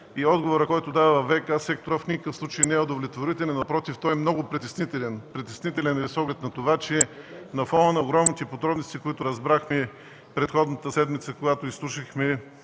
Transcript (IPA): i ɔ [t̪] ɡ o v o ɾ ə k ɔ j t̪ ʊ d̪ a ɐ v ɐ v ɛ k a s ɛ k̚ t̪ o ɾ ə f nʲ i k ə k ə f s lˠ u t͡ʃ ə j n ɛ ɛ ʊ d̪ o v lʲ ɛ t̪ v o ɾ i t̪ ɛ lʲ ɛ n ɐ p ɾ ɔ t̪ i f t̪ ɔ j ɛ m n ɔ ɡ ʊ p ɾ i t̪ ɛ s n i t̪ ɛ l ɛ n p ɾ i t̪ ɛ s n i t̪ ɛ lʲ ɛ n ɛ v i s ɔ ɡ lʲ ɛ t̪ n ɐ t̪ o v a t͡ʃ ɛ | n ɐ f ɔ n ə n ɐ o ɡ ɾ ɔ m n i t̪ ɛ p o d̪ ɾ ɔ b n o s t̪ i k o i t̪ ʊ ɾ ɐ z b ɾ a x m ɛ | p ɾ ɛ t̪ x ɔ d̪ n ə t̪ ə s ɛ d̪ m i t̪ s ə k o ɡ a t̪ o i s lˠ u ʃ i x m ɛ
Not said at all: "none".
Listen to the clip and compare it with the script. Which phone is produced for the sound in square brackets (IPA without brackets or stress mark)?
d̪